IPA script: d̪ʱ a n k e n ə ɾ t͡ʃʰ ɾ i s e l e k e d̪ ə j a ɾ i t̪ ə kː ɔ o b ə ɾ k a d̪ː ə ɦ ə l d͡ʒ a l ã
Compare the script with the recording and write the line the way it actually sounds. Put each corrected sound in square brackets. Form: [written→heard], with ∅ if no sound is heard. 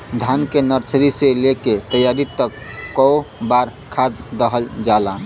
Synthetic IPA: d̪ʱ a n k e n ə ɾ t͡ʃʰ ɾ i s e l e k e [d̪→t̪] ə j a ɾ i t̪ ə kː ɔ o b [ə→a] ɾ [k→kʰ] a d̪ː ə ɦ ə l d͡ʒ a l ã